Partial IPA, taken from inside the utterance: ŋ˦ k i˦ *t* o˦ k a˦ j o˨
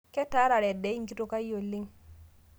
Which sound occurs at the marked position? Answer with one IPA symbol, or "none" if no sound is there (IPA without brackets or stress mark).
t